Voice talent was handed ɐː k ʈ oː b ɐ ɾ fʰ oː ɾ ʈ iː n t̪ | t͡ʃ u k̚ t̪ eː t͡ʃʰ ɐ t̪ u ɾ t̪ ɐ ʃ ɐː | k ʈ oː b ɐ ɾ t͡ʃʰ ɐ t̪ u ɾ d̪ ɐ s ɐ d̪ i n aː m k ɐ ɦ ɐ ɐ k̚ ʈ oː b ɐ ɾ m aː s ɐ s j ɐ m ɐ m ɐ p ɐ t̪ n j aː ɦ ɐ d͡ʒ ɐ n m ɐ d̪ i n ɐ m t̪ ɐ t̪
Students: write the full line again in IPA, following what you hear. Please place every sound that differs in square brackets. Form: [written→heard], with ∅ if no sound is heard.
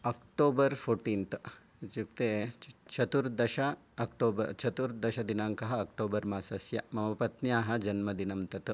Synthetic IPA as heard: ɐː k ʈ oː b ɐ ɾ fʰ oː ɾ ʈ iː n t̪ | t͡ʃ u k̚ t̪ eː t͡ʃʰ ɐ t̪ u ɾ [t̪→d̪] ɐ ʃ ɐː | k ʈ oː b ɐ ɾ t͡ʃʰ ɐ t̪ u ɾ d̪ ɐ [s→ʃ] ɐ d̪ i n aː [m→ŋ] k ɐ ɦ ɐ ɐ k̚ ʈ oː b ɐ ɾ m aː s ɐ s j ɐ m ɐ m ɐ p ɐ t̪ n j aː ɦ ɐ d͡ʒ ɐ n m ɐ d̪ i n ɐ m t̪ ɐ t̪